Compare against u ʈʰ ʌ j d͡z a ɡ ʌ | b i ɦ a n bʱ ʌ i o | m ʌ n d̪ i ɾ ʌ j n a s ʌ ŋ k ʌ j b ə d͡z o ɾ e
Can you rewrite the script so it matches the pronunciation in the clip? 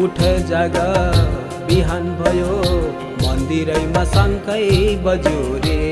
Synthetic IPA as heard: u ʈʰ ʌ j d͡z a ɡ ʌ | b i ɦ a n bʱ ʌ j o | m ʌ n d̪ i ɾ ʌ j m a s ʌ ŋ k ʌ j b ʌ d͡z o ɾ e